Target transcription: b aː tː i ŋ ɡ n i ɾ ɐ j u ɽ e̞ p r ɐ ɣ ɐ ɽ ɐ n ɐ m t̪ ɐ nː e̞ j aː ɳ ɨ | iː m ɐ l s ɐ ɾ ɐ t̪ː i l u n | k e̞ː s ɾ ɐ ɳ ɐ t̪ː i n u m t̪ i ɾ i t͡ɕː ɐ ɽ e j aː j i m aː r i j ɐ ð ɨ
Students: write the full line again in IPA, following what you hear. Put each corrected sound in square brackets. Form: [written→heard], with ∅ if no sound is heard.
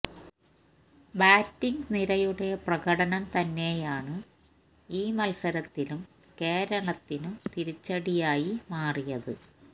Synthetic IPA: b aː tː i ŋ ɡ n i ɾ ɐ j u ɽ e̞ p r ɐ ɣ ɐ ɽ ɐ n ɐ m t̪ ɐ nː e̞ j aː ɳ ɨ | iː m ɐ l s ɐ ɾ ɐ t̪ː i l u [n→m] | k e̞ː [s→∅] ɾ ɐ ɳ ɐ t̪ː i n u m t̪ i ɾ i t͡ɕː ɐ ɽ [e→i] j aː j i m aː r i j ɐ ð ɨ